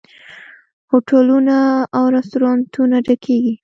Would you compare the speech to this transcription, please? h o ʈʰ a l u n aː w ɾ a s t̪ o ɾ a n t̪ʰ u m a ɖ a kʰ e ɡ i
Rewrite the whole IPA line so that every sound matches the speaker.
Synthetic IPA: h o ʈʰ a l u n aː w ɾ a s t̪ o ɾ ɑ n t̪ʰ u n a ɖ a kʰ e ɡ i